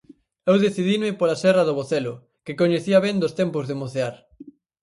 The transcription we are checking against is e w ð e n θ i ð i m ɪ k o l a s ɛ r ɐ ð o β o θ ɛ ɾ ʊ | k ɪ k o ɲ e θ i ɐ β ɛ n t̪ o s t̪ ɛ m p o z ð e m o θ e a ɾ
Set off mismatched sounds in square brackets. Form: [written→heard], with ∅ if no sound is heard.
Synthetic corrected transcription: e w ð e [n→∅] θ i ð i m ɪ [k→p] o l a s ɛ r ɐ ð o β o θ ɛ [ɾ→l] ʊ | k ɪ k o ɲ e θ i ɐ β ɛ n [t̪→d̪] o s t̪ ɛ m p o z ð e m o θ e a ɾ